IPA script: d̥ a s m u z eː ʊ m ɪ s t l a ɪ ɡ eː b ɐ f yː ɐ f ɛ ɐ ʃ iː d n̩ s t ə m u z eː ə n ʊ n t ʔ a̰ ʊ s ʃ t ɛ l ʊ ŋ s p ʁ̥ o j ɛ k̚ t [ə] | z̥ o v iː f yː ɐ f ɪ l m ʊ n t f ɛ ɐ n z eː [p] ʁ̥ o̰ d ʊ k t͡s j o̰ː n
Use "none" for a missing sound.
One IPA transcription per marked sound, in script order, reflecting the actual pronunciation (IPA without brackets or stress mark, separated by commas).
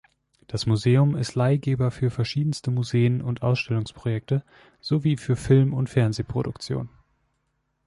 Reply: ə, p